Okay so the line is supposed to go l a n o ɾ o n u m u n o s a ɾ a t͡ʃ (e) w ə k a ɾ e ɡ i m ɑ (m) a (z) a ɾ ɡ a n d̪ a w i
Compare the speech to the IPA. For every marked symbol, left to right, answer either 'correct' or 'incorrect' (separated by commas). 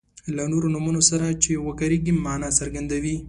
correct, incorrect, incorrect